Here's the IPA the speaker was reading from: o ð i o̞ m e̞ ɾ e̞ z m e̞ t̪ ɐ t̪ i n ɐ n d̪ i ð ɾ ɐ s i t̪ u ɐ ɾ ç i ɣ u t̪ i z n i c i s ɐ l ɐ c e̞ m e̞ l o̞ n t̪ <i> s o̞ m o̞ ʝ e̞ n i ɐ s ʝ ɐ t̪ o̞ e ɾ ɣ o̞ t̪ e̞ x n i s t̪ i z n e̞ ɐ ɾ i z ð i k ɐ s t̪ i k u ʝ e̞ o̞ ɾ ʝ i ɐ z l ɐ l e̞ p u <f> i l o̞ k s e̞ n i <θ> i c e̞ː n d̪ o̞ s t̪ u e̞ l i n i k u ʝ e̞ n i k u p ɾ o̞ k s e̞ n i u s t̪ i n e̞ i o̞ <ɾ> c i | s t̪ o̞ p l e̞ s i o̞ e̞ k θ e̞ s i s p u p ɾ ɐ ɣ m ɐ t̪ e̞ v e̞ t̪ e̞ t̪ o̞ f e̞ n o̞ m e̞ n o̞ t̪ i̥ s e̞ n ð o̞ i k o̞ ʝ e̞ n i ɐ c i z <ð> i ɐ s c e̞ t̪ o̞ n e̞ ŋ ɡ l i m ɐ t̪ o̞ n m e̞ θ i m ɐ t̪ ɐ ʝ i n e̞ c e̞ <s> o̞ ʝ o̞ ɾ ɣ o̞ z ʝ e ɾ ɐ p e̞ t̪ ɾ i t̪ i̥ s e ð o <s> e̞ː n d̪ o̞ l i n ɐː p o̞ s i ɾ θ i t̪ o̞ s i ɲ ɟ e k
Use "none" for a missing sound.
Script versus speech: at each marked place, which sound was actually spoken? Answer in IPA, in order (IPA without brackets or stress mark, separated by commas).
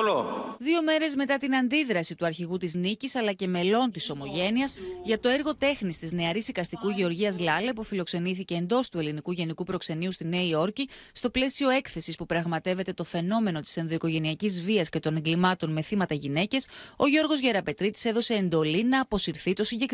i, f, θ, ɾ, v, s, s